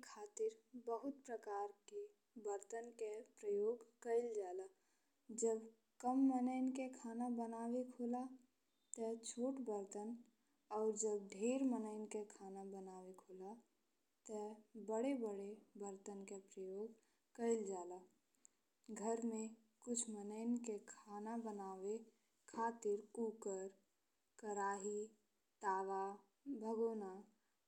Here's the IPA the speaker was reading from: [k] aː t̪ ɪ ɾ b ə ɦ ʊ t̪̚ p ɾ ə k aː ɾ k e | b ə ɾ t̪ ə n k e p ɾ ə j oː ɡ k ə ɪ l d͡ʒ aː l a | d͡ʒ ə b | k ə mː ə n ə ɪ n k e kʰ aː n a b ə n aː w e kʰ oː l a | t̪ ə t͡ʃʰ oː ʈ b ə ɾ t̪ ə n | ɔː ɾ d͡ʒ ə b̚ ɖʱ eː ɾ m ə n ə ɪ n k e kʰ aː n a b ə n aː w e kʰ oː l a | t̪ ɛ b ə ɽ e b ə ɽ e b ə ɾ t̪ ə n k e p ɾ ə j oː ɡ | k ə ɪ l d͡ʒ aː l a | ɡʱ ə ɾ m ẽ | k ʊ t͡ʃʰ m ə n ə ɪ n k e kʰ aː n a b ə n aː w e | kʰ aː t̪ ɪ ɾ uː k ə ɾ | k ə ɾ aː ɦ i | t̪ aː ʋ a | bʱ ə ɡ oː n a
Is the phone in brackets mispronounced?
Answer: yes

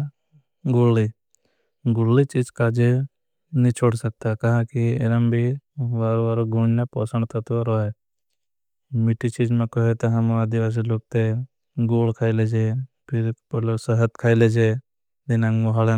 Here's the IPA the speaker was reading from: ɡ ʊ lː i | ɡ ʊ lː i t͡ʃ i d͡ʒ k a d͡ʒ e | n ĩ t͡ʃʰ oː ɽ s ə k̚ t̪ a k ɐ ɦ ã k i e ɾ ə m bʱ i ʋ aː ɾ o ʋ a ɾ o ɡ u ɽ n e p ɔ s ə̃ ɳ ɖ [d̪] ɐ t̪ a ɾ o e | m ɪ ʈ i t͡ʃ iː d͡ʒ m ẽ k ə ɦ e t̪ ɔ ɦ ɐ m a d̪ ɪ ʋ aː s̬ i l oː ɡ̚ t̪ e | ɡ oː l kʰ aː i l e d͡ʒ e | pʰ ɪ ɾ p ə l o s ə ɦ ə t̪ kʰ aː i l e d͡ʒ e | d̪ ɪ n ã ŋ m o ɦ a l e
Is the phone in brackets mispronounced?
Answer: yes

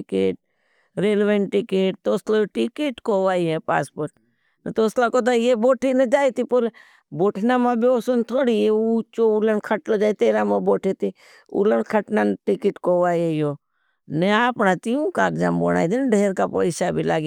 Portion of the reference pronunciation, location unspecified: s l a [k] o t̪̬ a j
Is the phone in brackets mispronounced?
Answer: no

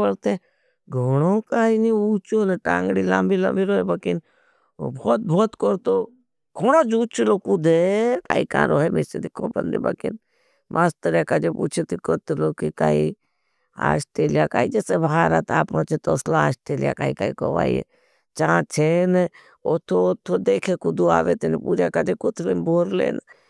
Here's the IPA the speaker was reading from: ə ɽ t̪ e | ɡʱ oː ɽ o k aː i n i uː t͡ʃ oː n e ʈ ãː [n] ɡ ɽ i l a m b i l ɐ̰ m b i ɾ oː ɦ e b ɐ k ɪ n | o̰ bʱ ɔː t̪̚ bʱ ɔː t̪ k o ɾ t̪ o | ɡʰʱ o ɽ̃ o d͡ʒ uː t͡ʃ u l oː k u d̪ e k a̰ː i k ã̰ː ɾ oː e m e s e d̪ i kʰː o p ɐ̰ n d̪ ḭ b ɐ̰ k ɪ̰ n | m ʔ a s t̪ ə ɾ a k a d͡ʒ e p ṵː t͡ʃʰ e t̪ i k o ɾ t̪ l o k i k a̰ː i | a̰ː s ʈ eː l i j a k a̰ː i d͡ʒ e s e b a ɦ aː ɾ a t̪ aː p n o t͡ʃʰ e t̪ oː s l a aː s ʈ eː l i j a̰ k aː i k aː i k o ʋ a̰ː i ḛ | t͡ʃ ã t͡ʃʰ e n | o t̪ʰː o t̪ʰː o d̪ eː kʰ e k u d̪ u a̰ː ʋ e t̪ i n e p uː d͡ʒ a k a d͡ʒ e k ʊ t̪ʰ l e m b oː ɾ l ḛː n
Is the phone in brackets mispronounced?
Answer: yes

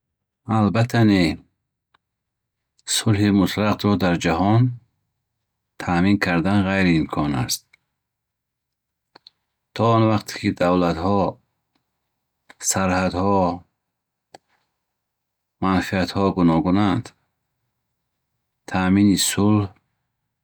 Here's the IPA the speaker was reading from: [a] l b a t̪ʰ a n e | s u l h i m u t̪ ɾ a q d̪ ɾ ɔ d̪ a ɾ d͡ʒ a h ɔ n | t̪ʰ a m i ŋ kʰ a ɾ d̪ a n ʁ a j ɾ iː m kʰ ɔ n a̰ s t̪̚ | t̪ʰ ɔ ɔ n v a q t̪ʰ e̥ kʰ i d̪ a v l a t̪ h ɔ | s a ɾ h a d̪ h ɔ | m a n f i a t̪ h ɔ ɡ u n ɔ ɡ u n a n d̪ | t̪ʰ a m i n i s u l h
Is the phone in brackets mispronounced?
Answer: no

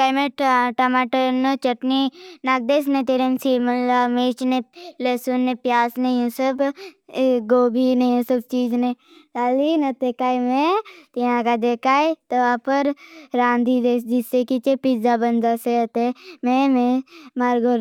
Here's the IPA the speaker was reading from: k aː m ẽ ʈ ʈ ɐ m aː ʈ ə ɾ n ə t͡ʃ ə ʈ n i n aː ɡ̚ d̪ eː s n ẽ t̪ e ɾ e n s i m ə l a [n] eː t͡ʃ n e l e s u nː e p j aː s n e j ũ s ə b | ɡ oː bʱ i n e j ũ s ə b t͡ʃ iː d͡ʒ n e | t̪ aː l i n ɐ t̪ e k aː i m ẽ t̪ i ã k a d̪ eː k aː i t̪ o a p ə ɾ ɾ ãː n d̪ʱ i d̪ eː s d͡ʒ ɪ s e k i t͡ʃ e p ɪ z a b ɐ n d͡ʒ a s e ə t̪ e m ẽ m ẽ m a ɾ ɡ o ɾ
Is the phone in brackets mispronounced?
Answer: yes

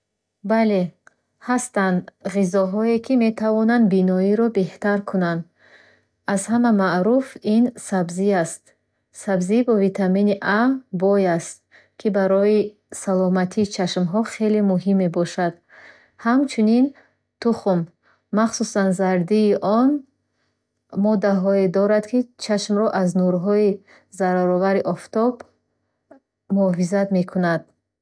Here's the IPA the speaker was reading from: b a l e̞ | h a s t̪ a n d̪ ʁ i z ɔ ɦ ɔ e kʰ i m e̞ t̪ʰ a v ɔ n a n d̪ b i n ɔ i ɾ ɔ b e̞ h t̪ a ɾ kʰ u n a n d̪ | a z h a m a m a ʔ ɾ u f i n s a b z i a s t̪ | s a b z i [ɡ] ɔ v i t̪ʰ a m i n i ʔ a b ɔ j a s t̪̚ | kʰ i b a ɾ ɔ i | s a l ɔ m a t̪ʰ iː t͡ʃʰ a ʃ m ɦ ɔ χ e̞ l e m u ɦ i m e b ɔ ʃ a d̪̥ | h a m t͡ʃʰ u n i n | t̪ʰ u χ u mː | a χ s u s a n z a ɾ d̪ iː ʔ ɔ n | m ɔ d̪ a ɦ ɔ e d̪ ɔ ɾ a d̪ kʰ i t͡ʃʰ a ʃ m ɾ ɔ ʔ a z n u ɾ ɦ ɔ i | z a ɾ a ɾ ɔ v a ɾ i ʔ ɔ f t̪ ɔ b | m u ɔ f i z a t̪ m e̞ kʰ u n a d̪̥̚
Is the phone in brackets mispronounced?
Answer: yes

